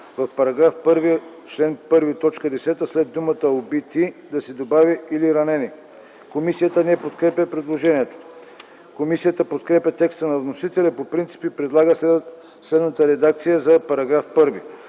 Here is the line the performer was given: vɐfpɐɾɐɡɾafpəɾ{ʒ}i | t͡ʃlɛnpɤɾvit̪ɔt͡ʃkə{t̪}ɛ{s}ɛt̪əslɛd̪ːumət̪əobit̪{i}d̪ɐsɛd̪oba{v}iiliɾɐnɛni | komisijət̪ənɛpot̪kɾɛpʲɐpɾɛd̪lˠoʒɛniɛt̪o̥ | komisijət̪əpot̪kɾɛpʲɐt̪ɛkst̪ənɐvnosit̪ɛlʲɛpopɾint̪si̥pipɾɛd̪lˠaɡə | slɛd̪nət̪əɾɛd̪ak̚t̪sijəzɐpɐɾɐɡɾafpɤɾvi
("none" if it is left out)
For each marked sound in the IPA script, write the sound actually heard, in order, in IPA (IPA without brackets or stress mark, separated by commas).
v, d̪, s, i, v